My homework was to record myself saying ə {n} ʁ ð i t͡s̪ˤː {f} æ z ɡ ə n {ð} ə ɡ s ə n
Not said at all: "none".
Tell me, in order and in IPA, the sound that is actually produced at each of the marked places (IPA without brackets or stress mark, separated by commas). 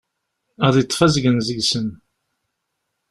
none, f, z